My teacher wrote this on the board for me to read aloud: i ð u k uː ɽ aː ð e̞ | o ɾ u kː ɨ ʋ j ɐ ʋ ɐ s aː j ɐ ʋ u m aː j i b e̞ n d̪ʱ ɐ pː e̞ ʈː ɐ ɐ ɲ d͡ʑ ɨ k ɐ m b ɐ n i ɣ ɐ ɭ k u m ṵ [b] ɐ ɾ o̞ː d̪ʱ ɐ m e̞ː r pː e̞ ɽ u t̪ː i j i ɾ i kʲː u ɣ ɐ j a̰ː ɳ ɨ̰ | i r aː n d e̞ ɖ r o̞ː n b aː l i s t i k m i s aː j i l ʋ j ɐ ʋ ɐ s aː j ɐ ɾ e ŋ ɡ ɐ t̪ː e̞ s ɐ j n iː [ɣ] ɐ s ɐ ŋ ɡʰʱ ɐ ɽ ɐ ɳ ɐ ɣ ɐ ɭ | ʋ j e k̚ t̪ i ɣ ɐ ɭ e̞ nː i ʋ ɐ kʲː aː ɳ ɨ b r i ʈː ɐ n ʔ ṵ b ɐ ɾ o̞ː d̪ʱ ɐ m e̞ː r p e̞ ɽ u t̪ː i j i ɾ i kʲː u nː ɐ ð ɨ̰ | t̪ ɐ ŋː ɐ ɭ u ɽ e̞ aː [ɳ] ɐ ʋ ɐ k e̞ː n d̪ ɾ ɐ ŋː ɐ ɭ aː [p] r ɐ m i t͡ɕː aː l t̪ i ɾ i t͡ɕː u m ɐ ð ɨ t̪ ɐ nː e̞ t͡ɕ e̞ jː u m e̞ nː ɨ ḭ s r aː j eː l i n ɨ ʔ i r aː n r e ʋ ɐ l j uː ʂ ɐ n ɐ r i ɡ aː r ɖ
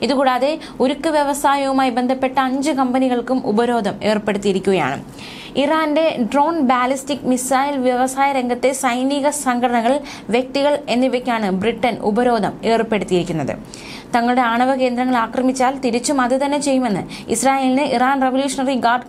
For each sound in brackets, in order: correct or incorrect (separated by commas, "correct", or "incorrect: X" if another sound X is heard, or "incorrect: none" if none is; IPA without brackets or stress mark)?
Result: correct, correct, correct, incorrect: k